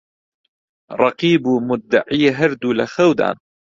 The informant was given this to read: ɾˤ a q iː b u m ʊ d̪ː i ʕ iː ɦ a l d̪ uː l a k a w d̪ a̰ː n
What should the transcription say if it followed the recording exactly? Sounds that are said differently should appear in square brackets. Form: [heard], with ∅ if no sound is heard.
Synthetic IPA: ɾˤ [ɑ] q iː b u m ʊ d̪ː [a] ʕ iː ɦ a [ɾ] d̪ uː l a [x] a w d̪ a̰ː n